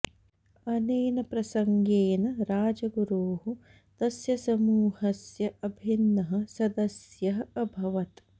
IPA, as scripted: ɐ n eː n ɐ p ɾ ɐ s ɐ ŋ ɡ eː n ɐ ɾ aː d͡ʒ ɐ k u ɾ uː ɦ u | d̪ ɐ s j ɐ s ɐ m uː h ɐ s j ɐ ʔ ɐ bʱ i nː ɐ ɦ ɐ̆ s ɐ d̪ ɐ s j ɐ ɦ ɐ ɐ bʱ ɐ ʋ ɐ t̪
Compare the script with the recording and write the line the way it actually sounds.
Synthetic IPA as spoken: ɐ n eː n ɐ p ɾ ɐ s ɐ ŋ ɡ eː n ɐ ɾ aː d͡ʒ ɐ ɡ u ɾ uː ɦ u | t̪ ɐ s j ɐ s ɐ m uː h ɐ s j ɐ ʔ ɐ bʱ i nː ɐ ɦ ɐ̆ s ɐ d̪ ɐ s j ɐ ɦ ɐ ɐ bʱ ɐ ʋ ɐ t̪

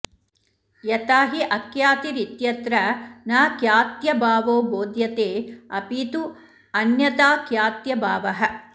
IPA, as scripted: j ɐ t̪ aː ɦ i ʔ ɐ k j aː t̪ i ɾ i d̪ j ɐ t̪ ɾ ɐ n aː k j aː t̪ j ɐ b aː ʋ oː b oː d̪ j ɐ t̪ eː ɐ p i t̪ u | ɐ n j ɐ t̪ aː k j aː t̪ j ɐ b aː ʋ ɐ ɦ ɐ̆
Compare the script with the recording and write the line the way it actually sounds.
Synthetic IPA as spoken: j ɐ t̪ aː ɦ i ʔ ɐ k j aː t̪ i ɾ i t̪ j ɐ t̪ ɾ ɐ n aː k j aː t̪ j ɐ b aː ʋ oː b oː d̪ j ɐ t̪ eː ɐ p i t̪ u | ɐ n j ɐ t̪ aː k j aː t̪ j ɐ b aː ʋ ɐ ɦ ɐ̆

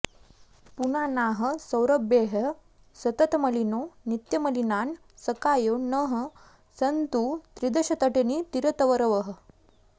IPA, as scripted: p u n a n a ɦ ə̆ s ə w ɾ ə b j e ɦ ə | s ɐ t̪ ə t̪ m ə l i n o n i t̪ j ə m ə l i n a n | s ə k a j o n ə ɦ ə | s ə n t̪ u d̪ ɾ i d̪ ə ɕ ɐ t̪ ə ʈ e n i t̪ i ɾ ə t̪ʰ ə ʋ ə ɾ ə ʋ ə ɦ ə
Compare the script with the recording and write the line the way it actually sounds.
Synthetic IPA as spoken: p u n a n a ɦ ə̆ s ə w ɾ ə b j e ɦ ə | s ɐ t̪ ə t̪ m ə l i n o n i t̪ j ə m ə l i n a n | s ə k a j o n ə ɦ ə | s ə n t̪ u t̪ ɾ i d̪ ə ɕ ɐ t̪ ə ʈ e n i t̪ i ɾ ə t̪ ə ʋ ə ɾ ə ʋ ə ɦ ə

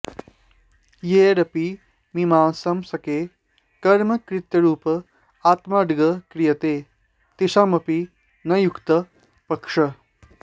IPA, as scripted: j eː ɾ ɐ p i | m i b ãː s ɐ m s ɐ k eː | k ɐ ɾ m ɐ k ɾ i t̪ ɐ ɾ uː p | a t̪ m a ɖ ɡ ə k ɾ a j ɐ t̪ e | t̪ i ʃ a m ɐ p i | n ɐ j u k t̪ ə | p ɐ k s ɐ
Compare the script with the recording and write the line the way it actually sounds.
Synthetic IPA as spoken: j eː ɾ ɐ p i | m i m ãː s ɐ m s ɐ k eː | k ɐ ɾ m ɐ k ɾ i t̪ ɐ ɾ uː p | a t̪ m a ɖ ɡ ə k ɾ i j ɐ t̪ e | t̪ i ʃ a m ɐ p i | n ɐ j u k t̪ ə | p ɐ k ʂ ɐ

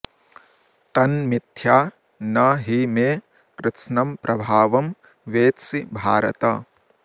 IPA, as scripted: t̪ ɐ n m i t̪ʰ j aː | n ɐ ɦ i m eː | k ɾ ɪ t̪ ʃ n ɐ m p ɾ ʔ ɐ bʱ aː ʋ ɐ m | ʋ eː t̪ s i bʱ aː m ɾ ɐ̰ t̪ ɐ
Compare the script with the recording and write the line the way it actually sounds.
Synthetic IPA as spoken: t̪ ɐ n m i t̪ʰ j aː | n ɐ ɦ i m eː | k ɾ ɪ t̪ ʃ n ɐ m p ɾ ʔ ɐ bʱ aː ʋ ɐ m | ʋ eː t̪ s i bʱ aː ɾ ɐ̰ t̪ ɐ

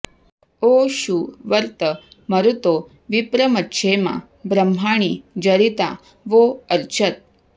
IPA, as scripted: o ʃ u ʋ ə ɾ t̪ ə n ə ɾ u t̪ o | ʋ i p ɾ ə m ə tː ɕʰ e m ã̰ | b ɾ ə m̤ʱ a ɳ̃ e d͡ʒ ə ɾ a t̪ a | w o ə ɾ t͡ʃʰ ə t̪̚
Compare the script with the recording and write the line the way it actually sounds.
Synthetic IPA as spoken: o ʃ u ʋ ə ɾ t̪ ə m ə ɾ u t̪ o | ʋ i p ɾ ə m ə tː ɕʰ e m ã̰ | b ɾ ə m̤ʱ a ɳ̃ i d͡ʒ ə ɾ i t̪ a | ʋ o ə ɾ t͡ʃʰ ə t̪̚

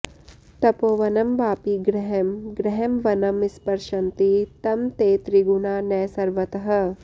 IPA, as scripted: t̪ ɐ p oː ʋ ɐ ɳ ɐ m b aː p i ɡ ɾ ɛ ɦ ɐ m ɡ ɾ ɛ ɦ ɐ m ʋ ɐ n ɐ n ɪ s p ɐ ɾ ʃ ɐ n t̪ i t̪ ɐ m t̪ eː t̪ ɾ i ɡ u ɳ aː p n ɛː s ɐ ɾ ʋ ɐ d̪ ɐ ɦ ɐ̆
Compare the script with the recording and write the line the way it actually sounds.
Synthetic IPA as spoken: t̪ ɐ p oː ʋ ɐ n ɐ m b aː p i ɡ ɾ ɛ ɦ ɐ m ɡ ɾ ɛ ɦ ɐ m ʋ ɐ n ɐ m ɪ s p ɐ ɾ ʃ ɐ n t̪ i t̪ ɐ m t̪ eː t̪ ɾ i ɡ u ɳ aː n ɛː s ɐ ɾ ʋ ɐ t̪ ɐ ɦ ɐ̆

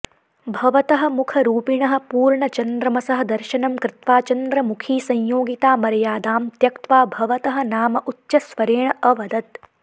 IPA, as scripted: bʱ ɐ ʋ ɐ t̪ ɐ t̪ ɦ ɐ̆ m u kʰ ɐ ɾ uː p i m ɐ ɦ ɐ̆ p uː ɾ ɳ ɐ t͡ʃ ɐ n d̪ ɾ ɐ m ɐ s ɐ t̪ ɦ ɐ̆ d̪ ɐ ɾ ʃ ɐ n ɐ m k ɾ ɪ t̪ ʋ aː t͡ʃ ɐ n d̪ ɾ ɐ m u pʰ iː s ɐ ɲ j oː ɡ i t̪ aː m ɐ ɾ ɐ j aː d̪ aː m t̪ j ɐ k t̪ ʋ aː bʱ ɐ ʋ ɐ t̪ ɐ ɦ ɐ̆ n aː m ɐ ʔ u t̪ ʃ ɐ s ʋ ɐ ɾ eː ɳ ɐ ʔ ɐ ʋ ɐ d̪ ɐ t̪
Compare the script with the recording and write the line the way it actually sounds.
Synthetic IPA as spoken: bʱ ɐ ʋ ɐ t̪ ɐ ɦ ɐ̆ m u kʰ ɐ ɾ uː p i ɳ ɐ ɦ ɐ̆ p uː ɾ ɳ ɐ t͡ʃ ɐ n d̪ ɾ ɐ m ɐ s ɐ ɦ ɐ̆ d̪ ɐ ɾ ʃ ɐ n ɐ m k ɾ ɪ t̪ ʋ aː t͡ʃ ɐ n d̪ ɾ ɐ m u kʰ iː s ɐ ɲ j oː ɡ i t̪ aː m ɐ ɾ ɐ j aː d̪ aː m t̪ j ɐ k t̪ ʋ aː bʱ ɐ ʋ ɐ t̪ ɐ ɦ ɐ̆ n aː m ɐ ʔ u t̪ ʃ ɐ s ʋ ɐ ɾ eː ɳ ɐ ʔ ɐ ʋ ɐ d̪ ɐ t̪

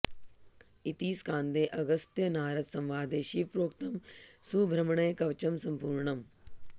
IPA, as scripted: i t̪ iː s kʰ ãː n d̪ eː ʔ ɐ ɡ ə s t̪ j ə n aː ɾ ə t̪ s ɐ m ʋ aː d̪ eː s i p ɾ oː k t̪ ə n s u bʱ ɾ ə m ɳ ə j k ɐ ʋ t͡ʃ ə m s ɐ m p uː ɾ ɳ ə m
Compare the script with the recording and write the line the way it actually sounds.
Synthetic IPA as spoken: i t̪ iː s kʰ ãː n d̪ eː ʔ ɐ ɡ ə s t̪ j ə n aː ɾ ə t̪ s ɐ m ʋ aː d̪ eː ʃ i p ɾ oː k t̪ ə m s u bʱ ɾ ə m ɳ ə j k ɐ ʋ t͡ʃ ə m s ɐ m p uː ɾ ɳ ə m

